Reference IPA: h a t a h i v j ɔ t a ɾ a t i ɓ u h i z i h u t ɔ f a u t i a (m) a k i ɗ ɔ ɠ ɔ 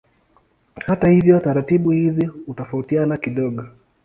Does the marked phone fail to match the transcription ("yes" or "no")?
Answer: yes